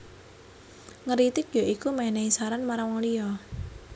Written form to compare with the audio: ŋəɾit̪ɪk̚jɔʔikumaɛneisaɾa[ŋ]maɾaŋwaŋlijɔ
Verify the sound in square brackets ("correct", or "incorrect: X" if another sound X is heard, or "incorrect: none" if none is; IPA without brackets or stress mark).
incorrect: n